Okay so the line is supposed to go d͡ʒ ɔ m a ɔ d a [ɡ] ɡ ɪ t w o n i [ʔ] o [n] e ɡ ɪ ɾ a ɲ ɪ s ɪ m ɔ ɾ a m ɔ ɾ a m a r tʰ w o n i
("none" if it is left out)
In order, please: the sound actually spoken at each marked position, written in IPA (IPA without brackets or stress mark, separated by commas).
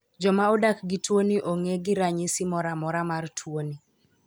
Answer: k, ʔ, ŋ